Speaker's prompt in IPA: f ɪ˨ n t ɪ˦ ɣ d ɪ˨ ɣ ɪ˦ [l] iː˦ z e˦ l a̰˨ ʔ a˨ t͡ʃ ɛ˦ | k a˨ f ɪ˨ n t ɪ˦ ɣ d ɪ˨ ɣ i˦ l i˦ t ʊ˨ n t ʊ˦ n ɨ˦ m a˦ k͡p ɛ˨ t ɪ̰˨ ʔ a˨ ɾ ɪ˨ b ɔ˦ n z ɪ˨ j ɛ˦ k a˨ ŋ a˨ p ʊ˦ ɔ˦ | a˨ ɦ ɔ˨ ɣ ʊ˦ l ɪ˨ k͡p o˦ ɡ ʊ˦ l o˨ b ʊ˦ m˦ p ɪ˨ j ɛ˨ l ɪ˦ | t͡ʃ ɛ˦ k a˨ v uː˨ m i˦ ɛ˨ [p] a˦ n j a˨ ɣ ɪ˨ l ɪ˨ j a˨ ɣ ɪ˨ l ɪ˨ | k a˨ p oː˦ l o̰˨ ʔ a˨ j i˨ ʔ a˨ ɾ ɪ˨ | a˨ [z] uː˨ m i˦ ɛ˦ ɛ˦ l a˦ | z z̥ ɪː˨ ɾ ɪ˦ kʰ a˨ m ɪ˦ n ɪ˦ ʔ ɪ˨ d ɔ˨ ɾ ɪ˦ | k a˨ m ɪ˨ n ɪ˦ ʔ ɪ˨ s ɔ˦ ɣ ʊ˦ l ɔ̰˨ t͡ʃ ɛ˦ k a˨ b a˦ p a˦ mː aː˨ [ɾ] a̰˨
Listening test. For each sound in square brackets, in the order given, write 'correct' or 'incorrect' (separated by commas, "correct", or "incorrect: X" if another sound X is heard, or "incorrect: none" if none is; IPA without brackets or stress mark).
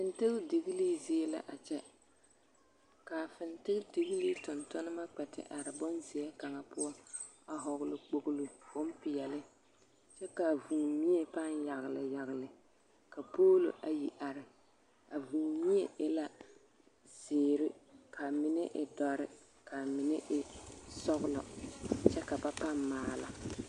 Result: correct, correct, incorrect: v, incorrect: l